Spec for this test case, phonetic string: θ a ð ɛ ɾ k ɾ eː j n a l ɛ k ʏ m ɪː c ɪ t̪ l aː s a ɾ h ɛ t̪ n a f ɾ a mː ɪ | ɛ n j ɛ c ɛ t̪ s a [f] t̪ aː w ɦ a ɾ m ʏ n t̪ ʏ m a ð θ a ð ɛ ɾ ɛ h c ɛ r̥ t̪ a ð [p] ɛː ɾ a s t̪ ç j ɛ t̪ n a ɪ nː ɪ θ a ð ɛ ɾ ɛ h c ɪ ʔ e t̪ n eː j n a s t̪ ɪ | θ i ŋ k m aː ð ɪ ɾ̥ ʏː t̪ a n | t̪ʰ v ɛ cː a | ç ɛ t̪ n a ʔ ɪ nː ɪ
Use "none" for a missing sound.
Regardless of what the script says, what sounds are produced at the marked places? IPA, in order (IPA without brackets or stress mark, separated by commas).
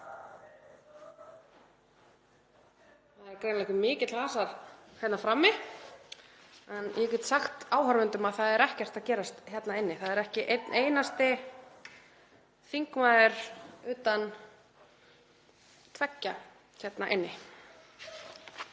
x, c